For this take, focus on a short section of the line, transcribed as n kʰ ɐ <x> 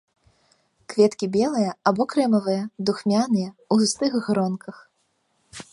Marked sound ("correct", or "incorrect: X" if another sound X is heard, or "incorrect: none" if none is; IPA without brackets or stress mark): correct